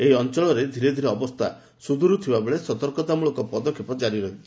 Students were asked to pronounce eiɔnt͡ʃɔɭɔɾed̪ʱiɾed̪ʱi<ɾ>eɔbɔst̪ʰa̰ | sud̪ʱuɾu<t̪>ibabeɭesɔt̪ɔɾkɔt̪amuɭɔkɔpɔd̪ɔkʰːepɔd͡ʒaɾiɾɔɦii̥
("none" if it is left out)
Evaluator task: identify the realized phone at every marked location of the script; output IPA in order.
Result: ɾ, t̪ʰ

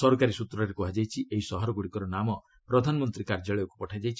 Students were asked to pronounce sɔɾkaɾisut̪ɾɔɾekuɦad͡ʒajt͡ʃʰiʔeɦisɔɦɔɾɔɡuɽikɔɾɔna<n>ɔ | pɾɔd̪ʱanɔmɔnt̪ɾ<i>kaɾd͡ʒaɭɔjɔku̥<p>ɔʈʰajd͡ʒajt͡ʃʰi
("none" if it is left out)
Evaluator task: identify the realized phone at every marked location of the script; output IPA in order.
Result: m, i, p

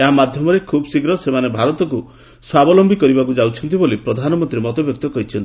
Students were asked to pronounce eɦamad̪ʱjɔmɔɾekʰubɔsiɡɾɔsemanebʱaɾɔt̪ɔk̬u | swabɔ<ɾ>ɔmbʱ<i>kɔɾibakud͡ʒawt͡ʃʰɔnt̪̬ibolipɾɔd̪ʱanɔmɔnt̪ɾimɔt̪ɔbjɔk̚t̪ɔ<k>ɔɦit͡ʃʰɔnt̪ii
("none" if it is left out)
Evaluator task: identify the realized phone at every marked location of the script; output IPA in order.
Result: l, i, k

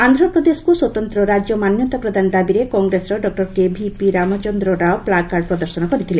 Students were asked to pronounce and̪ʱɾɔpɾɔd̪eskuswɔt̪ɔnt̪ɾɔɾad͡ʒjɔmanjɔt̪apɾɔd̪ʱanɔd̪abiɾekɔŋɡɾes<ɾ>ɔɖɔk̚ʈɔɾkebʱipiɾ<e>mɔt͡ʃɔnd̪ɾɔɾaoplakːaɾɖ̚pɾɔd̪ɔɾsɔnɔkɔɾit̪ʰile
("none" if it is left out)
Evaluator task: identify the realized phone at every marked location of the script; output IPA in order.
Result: ɾ, a

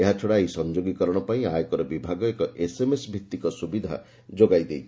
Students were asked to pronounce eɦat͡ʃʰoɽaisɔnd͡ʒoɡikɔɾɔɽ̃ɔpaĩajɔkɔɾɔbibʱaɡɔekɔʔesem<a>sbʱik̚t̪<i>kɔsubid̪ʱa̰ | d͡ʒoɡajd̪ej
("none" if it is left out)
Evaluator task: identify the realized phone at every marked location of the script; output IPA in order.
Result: e, i

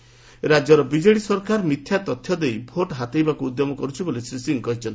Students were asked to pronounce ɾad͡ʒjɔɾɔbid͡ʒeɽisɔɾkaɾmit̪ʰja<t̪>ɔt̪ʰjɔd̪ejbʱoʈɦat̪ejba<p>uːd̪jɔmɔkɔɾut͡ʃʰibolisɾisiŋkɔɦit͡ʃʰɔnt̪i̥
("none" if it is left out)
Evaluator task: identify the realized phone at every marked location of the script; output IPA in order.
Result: t̪, k

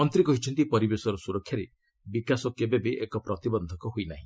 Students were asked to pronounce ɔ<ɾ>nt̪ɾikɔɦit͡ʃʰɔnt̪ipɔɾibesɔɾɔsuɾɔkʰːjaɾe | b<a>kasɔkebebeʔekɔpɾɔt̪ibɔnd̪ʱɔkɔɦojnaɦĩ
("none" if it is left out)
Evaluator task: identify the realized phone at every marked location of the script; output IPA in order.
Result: none, i

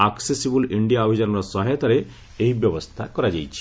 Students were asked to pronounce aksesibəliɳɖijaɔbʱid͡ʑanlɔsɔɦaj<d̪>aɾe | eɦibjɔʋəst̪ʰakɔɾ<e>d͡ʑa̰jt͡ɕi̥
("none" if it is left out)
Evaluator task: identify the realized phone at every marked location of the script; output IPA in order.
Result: t̪, a

